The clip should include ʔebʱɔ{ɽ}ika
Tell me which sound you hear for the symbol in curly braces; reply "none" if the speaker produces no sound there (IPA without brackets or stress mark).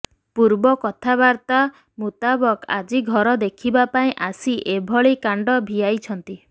ɭ